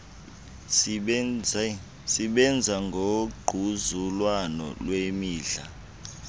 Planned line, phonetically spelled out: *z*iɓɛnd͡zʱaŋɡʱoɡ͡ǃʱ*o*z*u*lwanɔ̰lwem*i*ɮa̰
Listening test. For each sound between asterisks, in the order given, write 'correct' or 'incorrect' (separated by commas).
incorrect, incorrect, correct, incorrect